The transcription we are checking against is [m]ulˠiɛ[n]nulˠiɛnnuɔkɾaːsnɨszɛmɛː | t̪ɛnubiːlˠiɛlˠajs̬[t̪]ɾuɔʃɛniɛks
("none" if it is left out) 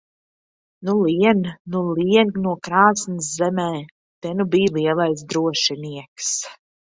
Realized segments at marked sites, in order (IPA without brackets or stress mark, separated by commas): n, n, d̪